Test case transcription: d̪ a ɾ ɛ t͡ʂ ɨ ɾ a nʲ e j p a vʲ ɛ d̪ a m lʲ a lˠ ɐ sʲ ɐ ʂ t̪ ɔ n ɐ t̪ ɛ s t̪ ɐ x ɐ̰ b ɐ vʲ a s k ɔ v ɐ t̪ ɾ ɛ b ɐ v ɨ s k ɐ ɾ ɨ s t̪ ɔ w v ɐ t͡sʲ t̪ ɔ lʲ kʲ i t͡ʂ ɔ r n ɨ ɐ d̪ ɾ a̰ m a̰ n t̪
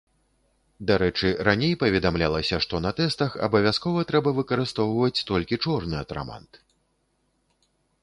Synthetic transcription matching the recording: d̪ a ɾ ɛ t͡ʂ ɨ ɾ a nʲ e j p ɐ vʲ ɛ d̪ a m lʲ a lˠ ɐ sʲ ɐ ʂ t̪ ɔ n ɐ t̪ ɛ s t̪ ɐ x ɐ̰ b ɐ vʲ a s k ɔ v ɐ t̪ ɾ ɛ b ɐ v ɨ k ɐ ɾ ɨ s t̪ ɔ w v ɐ t͡sʲ t̪ ɔ lʲ kʲ i t͡ʂ ɔ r n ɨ ɐ t̪ ɾ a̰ m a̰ n t̪

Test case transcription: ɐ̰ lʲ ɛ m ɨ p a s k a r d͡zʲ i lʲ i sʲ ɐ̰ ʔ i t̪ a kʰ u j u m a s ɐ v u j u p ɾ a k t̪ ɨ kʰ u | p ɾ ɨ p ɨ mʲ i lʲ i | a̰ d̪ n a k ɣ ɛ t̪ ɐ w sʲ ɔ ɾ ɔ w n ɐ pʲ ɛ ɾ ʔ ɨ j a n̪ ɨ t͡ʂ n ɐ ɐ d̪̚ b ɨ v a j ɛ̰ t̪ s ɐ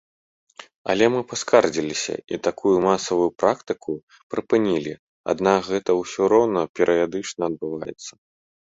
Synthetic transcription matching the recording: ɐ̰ lʲ ɛ m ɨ p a s k a r d͡zʲ i lʲ i sʲ ɐ̰ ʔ i t̪ a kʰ u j u m a s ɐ v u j u p ɾ a k t̪ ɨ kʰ u | p ɾ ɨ p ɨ nʲ i lʲ i | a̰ d̪ n a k ɣ ɛ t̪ ɐ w sʲ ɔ ɾ ɔ w n ɐ pʲ ɛ ɾ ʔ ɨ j a d̪ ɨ t͡ʂ n ɐ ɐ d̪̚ b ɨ v a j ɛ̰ t̪ sː ɐ

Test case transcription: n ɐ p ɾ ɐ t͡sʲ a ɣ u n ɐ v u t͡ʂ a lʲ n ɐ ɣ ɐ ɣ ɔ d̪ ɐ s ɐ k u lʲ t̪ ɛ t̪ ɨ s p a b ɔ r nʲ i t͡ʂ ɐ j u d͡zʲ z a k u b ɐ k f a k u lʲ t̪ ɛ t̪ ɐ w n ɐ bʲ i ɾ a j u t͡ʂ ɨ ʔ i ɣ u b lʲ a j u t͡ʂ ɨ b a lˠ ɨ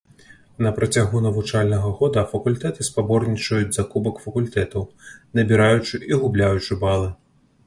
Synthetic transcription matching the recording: n ɐ p ɾ ɐ t͡sʲ a ɣ u n ɐ v u t͡ʂ a lʲ n ɐ ɣ ɐ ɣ ɔ d̪ ɐ f ɐ k u lʲ t̪ ɛ t̪ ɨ s p a b ɔ r nʲ i t͡ʂ ɐ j u d͡zʲ z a k u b ɐ k f ɐ k u lʲ t̪ ɛ t̪ ɐ w n ɐ bʲ i ɾ a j u t͡ʂ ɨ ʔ i ɣ u b lʲ a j u t͡ʂ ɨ b a lˠ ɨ

